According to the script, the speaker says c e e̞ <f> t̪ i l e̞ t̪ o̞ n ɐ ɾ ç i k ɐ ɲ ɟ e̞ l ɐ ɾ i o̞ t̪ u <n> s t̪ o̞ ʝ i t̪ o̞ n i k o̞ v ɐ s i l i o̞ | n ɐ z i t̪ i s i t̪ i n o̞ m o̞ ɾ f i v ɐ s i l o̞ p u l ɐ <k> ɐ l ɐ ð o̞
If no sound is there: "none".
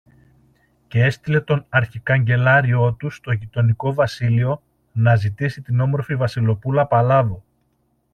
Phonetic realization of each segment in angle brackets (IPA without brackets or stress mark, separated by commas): s, none, p